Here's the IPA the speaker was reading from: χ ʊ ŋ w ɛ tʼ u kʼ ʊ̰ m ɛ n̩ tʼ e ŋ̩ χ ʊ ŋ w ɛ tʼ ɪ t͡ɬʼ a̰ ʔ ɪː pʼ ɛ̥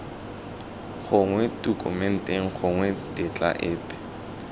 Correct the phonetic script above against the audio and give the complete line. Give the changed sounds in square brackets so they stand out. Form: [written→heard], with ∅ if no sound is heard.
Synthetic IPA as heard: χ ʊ ŋ w ɛ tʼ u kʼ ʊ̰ m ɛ n̩ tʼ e ŋ̩ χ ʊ ŋ w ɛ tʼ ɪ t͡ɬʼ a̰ ʔ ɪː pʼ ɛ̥